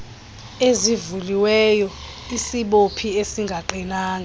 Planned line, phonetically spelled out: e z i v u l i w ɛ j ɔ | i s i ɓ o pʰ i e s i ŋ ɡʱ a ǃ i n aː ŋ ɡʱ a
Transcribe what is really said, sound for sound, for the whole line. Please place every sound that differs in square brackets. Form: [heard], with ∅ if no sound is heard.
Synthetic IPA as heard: e z i v u l i w ɛ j ɔ | i s i ɓ o pʰ i e s i ŋ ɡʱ a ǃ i n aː ŋ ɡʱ a